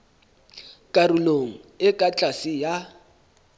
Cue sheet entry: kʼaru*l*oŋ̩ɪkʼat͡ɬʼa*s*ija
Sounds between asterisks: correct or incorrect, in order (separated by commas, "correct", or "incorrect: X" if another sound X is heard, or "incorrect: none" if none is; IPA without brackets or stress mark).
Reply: correct, correct